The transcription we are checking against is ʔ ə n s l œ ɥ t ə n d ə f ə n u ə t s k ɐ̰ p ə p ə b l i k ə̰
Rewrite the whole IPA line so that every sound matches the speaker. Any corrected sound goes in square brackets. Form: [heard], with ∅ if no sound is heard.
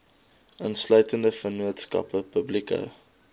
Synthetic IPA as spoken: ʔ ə n s l œ ɥ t ə n d ə f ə n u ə t s k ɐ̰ p ə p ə b l i k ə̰